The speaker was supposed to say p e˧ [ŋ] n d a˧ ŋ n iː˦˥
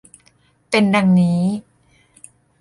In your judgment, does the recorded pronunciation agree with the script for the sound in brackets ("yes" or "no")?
no